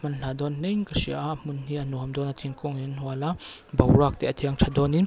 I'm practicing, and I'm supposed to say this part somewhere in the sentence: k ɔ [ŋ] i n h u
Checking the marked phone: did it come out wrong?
no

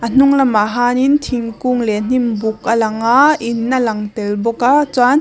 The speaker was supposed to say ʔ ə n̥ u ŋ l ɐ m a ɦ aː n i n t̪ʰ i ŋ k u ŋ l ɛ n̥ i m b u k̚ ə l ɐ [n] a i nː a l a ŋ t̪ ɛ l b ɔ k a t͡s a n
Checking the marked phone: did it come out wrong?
yes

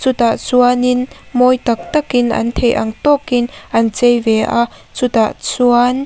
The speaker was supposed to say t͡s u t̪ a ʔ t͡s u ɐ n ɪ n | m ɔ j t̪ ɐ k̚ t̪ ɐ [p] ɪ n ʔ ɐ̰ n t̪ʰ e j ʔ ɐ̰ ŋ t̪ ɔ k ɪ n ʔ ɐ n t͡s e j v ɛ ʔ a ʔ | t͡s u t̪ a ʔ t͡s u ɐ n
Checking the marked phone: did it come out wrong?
yes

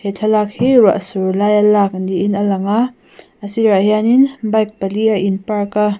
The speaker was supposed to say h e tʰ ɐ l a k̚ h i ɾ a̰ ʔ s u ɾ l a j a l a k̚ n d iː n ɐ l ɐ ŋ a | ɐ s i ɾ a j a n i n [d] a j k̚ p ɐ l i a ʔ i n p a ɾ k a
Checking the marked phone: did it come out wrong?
yes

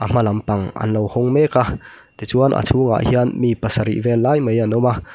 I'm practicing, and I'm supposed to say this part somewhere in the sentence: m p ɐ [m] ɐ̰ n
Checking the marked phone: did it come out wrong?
yes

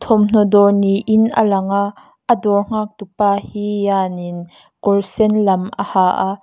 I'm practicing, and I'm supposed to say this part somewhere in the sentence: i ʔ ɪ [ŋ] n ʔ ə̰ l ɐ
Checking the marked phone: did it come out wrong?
yes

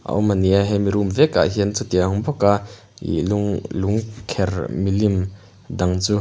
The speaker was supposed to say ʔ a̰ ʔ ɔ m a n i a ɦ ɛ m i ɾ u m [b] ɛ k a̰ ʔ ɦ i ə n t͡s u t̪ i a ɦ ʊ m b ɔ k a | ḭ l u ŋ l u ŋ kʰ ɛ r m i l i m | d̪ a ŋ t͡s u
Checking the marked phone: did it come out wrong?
yes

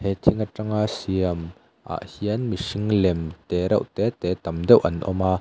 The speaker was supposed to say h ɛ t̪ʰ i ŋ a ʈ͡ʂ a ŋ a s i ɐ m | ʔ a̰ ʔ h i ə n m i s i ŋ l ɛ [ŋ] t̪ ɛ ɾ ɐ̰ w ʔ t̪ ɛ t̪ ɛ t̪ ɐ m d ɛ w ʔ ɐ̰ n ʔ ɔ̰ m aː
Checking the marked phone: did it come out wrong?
yes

